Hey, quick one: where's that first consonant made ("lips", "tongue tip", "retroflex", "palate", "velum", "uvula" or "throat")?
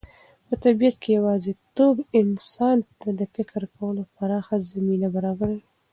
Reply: lips